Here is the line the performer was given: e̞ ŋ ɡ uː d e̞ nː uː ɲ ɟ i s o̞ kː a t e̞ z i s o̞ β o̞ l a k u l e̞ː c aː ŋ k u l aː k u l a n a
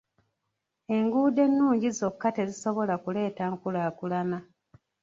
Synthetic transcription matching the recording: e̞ ŋ ɡ uː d e̞ nː uː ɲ ɟ i z o̞ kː a t e̞ z i s o̞ β o̞ l a k u l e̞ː t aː ŋ k u l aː k u l a n a